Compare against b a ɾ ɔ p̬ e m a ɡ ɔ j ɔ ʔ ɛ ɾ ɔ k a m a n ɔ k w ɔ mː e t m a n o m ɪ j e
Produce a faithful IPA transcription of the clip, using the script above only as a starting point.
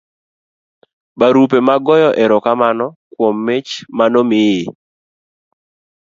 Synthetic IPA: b a ɾ u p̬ e m a ɡ ɔ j ɔ ʔ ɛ ɾ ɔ k a m a n ɔ k w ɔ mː e t͡ʃ m a n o m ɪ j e